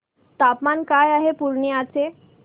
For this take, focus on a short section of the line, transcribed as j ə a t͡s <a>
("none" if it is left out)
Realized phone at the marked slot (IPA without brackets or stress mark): e